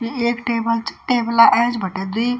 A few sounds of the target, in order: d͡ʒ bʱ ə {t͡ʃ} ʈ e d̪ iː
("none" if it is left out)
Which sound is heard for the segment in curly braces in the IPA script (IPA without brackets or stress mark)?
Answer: none